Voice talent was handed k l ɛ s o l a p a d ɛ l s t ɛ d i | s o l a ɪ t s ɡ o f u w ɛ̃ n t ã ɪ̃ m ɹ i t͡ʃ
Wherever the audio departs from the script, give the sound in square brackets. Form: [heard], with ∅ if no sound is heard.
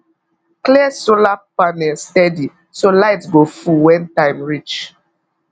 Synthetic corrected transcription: k l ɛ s o l a p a [n] ɛ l s t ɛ d i | s o l a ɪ t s ɡ o f u w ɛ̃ n t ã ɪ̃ m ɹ i t͡ʃ